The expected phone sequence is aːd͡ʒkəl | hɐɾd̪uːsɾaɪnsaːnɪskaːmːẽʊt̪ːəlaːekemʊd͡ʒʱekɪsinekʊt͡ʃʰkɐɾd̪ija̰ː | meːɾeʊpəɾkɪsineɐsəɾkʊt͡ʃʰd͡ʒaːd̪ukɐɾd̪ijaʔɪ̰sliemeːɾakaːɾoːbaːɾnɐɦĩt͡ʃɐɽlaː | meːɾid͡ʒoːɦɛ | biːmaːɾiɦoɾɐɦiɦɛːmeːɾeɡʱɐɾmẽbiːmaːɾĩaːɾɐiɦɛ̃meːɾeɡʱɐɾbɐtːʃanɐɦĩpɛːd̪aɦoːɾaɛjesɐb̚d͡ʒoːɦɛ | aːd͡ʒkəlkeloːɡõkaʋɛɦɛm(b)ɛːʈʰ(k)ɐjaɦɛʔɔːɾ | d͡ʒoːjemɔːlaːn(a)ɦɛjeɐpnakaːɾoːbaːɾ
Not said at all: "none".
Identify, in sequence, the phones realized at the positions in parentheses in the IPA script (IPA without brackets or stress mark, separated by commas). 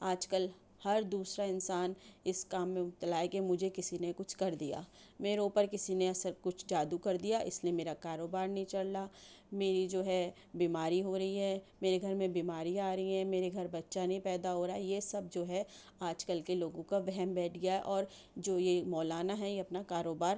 b, ɡ, a